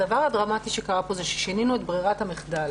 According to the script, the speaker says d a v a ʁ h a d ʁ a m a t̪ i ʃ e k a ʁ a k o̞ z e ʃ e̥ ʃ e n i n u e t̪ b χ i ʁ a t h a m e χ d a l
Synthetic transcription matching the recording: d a v a ʁ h a d ʁ a m a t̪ i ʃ e k a ʁ a p o̞ z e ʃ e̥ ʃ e n i n u e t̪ b ʁ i ʁ a t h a m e χ d a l